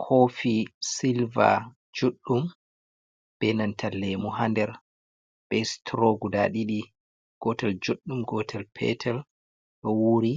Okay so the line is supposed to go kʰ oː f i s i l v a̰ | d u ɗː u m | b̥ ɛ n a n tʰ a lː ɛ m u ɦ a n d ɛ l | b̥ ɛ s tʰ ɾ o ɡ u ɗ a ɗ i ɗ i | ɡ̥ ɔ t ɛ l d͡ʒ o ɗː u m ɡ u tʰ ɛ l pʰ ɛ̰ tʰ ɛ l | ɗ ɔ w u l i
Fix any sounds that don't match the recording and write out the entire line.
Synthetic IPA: kʰ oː f i s i l v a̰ | d͡ʒ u ɗː u m | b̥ ɛ n a n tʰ a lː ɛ m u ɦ a n d ɛ ɾ | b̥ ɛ s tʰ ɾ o ɡ u d a ɗ i ɗ i | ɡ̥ ɔ t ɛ l d͡ʒ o ɗː u m ɡ ɔ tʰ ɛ l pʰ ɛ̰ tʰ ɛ l | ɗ ɔ w u ɾ i